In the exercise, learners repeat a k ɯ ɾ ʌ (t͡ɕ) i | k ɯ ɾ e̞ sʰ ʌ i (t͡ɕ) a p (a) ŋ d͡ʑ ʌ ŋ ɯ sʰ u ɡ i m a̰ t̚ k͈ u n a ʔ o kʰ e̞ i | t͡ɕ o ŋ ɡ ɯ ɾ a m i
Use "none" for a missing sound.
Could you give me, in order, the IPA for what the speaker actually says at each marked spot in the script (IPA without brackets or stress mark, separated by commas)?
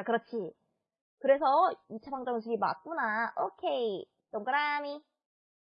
t͡ɕʰ, t͡ɕʰ, a